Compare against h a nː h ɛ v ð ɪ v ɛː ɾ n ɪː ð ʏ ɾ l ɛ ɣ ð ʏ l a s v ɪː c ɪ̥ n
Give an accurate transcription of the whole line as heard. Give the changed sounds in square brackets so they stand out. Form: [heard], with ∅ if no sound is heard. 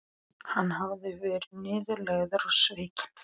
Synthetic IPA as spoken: h a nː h [a] v ð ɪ v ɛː ɾ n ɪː ð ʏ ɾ l ɛ ɣ ð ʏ [ɾ] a s v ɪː c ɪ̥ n

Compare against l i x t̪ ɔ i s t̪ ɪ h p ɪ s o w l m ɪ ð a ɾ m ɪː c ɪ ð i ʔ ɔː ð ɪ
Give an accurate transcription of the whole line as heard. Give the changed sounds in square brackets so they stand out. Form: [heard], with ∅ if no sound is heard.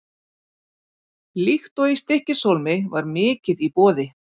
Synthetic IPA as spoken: l i x t̪ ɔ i s t̪ ɪ h [c] ɪ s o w l m ɪ [v] a ɾ m ɪː c ɪ ð i [p] ɔː ð ɪ

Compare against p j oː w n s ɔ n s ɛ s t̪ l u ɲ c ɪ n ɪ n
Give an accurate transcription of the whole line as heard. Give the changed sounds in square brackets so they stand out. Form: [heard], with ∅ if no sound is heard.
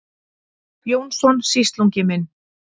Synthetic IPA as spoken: p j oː w n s ɔ n s [i] s t̪ l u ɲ c ɪ [m] ɪ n

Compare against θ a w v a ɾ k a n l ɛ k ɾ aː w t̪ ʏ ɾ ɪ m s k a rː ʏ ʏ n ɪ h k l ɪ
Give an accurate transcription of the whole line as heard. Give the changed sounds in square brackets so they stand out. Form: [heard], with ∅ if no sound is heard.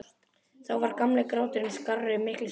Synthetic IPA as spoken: θ a w v a ɾ k a [m] l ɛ k ɾ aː w t̪ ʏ ɾ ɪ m s k a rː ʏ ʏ [m] ɪ h k l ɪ

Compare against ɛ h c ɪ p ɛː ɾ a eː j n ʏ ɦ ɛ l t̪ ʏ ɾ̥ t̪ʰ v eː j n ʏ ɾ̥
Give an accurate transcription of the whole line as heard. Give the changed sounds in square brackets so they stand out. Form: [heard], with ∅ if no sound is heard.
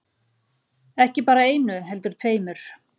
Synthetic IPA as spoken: ɛ h c ɪ p [aː] ɾ a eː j n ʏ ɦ ɛ l t̪ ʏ ɾ̥ t̪ʰ v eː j [m] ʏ ɾ̥

